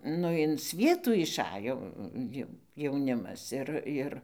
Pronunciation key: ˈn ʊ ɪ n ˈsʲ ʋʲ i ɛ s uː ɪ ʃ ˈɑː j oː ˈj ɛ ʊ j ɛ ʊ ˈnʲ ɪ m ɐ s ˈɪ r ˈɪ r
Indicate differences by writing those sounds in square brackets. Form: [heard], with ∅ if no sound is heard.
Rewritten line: ˈn ʊ ɪ n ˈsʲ ʋʲ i ɛ [t] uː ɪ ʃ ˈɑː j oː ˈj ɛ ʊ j ɛ ʊ ˈnʲ ɪ m ɐ s ˈɪ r ˈɪ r